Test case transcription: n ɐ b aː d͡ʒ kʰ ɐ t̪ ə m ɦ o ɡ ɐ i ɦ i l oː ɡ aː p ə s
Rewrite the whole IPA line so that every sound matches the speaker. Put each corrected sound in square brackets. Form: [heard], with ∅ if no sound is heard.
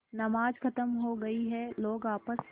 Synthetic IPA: n ɐ [m] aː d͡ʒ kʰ ɐ t̪ ə m ɦ o ɡ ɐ i ɦ [ɛ] l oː ɡ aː p ə s